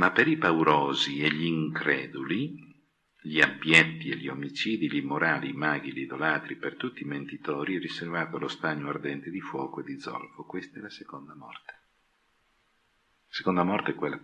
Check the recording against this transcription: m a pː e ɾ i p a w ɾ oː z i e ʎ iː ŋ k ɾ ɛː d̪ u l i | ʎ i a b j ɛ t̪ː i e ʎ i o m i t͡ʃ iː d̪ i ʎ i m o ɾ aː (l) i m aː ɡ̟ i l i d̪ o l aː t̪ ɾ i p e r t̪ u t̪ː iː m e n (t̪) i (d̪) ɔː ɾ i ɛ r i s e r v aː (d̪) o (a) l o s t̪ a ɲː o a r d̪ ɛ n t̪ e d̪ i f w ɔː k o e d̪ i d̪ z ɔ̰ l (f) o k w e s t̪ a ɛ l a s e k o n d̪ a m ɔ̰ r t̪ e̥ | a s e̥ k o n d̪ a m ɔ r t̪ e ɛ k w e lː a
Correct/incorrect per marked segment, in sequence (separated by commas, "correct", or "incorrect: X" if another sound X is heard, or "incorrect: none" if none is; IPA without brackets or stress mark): correct, correct, incorrect: t̪, incorrect: t̪, correct, correct